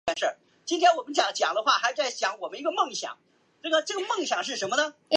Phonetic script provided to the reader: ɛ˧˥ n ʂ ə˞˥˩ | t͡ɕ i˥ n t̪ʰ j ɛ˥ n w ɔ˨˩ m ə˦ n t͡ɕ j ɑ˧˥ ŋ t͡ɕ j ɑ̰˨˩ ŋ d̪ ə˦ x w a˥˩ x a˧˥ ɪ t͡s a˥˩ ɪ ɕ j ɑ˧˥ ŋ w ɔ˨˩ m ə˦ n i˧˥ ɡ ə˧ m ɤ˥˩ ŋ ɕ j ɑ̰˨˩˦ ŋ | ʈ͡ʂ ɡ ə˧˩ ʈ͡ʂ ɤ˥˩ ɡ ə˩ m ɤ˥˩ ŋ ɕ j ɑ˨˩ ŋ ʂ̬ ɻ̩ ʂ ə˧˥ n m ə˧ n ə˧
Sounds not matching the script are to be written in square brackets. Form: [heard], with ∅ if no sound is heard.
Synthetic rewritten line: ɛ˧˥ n ʂ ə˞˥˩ | t͡ɕ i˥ n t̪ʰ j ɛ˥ n w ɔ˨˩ m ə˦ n t͡ɕ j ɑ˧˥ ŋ t͡ɕ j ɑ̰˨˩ ŋ d̪ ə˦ x w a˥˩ x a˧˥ ɪ t͡s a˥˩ ɪ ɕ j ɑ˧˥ ŋ w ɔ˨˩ m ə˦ n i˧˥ ɡ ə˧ m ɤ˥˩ ŋ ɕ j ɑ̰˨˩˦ ŋ | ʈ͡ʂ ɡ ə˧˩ ʈ͡ʂ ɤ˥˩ ɡ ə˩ m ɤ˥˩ ŋ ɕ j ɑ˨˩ ŋ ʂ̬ ɻ̩ ʂ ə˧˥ n m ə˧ n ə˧